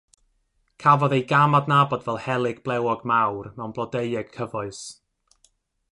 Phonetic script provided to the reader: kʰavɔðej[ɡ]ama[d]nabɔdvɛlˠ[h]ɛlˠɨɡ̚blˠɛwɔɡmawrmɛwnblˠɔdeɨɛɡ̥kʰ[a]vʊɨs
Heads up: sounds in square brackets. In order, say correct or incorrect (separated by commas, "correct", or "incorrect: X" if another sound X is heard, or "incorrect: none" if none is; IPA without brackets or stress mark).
correct, correct, correct, incorrect: ə